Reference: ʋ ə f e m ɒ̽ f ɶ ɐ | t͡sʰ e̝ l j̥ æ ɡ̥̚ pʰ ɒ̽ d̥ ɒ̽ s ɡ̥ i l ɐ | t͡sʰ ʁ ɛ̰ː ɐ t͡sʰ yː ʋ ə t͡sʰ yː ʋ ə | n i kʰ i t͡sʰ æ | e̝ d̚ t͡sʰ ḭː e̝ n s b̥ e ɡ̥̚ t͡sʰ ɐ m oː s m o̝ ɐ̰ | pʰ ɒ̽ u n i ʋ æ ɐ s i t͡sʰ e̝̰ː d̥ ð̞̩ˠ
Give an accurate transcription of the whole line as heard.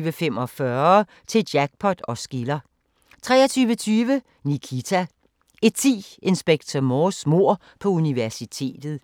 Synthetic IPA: ʋ ə f e m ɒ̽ f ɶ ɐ | t͡sʰ e̝ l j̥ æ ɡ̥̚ pʰ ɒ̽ d̥ ɒ̽ s ɡ̥ i l ɐ | t͡sʰ ʁ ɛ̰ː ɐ t͡sʰ yː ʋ ə t͡sʰ yː ʋ ə | n i kʰ i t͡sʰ æ | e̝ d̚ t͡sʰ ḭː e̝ n s b̥ e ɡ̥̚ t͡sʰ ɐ m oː s m o̝ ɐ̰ | pʰ ɒ̽ u n i ʋ æ ɐ s i t͡sʰ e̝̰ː d̥ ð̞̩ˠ